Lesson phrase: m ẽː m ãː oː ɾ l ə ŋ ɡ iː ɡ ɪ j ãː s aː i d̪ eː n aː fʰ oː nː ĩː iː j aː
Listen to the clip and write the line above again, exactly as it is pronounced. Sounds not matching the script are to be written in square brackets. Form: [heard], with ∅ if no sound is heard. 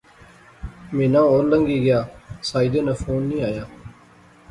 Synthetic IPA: m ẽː [n] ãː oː ɾ l ə ŋ ɡ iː ɡ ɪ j [aː] s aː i d̪ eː n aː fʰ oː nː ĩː [aː] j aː